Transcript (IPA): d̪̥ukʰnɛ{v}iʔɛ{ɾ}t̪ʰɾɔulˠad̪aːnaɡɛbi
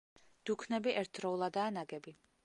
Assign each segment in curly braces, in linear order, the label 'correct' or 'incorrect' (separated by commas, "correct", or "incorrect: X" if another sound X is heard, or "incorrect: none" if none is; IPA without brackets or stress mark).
incorrect: b, correct